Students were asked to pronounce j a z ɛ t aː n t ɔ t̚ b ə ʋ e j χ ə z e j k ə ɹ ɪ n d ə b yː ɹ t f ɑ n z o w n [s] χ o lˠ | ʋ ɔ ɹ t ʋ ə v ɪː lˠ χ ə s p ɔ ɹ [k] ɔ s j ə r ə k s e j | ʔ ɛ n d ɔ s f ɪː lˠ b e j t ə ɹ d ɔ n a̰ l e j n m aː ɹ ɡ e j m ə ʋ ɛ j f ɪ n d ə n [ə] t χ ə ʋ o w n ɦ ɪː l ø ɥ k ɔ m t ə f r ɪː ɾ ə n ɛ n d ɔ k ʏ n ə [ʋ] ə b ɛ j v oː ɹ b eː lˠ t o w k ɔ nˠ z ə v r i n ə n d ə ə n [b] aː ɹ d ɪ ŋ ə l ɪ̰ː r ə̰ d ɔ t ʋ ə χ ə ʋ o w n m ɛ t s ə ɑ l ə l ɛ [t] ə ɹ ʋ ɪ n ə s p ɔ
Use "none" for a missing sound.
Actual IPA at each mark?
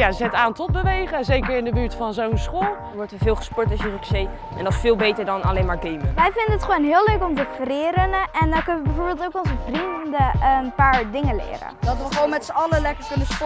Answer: s, t, ə, ʋ, p, k

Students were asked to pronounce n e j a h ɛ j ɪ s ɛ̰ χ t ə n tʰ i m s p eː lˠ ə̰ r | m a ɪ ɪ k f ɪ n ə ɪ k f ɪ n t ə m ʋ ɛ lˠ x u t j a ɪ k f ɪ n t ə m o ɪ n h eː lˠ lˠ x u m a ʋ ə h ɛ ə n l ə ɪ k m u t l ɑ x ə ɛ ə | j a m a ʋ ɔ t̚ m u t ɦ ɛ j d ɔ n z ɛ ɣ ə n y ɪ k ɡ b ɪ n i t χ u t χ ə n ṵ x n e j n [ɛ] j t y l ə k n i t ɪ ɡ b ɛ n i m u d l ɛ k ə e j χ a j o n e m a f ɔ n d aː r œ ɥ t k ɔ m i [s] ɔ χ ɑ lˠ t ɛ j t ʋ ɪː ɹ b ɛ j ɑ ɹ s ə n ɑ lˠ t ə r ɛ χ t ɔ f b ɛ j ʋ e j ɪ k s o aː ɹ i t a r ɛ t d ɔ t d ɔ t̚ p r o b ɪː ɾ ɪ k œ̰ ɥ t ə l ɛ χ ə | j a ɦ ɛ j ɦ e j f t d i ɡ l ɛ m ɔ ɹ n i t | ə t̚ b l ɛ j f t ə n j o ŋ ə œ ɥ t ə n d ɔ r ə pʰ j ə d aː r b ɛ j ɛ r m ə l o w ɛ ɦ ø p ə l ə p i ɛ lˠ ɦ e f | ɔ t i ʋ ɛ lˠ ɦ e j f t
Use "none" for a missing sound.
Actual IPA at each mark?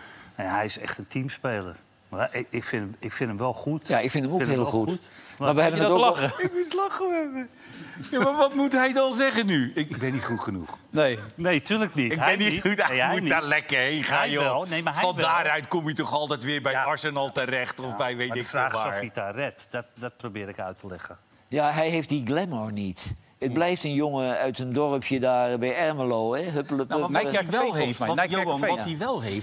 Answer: e, t

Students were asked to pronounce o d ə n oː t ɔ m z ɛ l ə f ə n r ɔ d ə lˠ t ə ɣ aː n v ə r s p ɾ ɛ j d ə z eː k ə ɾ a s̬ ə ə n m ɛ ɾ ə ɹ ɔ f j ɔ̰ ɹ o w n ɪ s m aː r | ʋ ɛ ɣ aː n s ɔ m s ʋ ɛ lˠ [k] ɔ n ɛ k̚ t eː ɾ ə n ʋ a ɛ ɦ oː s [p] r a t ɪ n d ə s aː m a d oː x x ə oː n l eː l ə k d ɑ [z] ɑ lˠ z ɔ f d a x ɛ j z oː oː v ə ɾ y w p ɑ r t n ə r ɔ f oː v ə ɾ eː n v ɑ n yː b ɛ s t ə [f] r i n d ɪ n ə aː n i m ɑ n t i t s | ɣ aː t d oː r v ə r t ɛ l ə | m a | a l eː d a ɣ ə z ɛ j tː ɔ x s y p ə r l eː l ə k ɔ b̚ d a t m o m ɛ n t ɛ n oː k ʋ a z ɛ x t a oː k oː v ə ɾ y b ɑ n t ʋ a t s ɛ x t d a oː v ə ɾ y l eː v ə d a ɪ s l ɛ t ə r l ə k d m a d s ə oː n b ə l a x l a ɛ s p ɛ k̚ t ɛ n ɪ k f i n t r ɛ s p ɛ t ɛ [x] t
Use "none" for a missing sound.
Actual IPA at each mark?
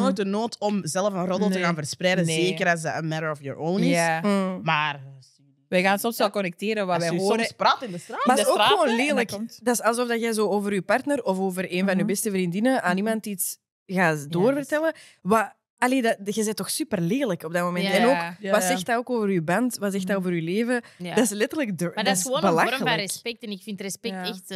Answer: k, p, s, v, x

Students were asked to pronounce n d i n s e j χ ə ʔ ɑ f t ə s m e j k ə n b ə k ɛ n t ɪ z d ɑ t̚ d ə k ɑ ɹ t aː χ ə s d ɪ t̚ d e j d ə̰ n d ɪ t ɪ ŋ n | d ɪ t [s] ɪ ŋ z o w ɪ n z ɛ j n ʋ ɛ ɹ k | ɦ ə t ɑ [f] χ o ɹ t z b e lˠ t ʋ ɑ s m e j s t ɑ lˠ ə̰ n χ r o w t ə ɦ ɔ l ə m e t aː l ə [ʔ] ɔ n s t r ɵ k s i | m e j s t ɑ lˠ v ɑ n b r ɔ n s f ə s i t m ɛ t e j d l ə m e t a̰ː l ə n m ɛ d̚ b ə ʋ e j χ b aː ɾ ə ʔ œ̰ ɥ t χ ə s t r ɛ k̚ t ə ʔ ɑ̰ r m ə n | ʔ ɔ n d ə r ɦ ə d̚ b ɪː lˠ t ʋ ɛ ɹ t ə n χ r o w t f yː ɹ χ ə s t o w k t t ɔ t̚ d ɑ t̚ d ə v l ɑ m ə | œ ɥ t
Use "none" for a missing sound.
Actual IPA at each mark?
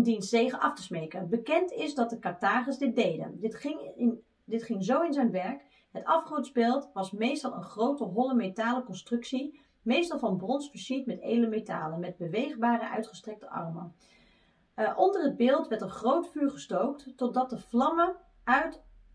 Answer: χ, f, k

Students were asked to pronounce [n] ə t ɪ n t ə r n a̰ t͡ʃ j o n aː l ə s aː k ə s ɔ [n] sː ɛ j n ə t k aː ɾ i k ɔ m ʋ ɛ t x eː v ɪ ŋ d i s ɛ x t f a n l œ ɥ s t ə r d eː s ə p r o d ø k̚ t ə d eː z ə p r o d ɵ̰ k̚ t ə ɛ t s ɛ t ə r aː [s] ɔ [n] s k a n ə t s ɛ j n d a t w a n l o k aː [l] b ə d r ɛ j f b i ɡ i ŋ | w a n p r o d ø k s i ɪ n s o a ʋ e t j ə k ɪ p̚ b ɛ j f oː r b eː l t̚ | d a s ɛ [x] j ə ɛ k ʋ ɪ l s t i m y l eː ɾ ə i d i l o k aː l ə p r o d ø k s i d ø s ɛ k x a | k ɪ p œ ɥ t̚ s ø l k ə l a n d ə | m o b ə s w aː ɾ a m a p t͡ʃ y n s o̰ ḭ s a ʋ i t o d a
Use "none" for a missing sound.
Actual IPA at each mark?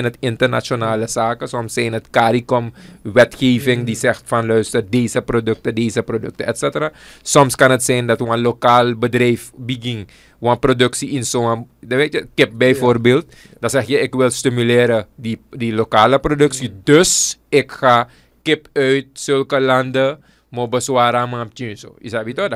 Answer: n, m, s, m, l, x

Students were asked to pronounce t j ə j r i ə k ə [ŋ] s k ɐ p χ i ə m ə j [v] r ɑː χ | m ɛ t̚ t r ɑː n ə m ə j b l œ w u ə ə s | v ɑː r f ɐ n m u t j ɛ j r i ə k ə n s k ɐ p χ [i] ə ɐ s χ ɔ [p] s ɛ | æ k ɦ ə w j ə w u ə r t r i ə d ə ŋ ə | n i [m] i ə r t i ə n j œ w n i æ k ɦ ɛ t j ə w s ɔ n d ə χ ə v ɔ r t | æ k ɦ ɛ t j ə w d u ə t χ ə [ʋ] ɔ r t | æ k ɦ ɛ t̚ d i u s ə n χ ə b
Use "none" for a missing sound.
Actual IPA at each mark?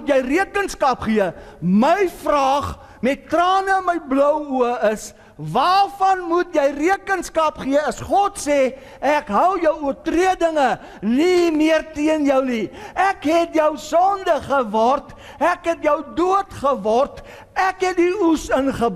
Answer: n, f, i, t, m, v

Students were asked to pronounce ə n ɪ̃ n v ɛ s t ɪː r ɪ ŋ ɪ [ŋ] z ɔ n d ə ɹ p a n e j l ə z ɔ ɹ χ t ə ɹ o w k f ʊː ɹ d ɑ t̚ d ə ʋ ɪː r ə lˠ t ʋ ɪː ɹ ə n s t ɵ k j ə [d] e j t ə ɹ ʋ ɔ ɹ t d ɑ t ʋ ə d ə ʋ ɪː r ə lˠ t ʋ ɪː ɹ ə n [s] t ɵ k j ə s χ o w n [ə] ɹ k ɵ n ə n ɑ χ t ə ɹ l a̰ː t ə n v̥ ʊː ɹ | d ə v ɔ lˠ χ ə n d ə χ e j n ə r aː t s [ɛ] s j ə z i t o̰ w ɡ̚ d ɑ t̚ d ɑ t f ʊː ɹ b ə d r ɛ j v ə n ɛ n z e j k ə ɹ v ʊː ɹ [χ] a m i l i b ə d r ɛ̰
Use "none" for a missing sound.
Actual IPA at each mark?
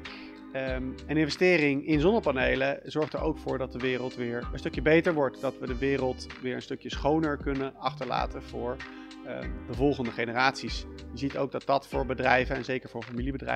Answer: n, b, s, ə, i, f

